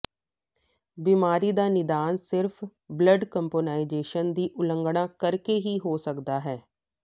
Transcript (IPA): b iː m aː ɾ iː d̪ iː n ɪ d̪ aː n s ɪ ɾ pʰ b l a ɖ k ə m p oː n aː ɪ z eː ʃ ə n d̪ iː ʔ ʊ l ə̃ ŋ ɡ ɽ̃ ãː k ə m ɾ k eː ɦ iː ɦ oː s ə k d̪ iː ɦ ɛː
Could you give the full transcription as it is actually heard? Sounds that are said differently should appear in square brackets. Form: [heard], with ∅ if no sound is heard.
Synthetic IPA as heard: b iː m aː ɾ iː d̪ [aː] n ɪ d̪ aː n s ɪ ɾ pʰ b l [ə] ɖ k ə m p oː n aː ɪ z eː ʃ ə n d̪ iː ʔ ʊ l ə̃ ŋ ɡ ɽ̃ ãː k ə [∅] ɾ k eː ɦ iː ɦ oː s ə k d̪ [aː] ɦ ɛː